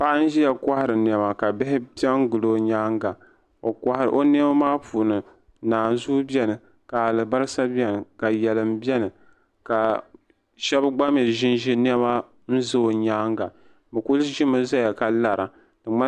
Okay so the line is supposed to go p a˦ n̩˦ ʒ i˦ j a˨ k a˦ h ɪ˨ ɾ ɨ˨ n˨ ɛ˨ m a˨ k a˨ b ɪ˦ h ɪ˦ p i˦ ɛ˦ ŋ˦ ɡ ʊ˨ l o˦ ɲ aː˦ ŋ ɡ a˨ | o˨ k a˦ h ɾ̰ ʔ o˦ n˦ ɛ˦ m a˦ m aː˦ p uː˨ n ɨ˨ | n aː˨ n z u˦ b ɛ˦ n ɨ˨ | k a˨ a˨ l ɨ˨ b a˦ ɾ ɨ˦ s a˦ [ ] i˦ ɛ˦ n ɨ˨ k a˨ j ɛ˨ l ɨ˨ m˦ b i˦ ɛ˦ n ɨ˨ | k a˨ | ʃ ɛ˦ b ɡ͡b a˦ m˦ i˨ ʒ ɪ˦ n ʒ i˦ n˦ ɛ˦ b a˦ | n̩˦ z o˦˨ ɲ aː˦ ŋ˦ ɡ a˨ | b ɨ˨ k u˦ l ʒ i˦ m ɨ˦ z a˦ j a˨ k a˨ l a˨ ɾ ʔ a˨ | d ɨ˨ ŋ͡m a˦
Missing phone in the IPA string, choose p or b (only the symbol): b